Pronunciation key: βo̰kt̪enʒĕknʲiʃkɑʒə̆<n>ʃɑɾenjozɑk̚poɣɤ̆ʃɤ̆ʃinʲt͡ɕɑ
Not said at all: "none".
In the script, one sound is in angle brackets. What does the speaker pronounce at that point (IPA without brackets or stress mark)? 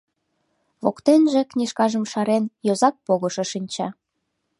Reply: m